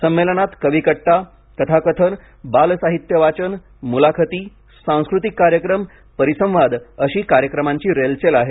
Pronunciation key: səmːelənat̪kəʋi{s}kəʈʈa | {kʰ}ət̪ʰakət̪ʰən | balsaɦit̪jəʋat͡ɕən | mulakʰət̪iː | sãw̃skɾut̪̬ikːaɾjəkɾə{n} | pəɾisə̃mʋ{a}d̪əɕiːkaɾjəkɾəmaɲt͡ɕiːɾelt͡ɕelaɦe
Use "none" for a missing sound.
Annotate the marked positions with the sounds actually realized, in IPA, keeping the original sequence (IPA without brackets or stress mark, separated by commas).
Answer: none, k, m, a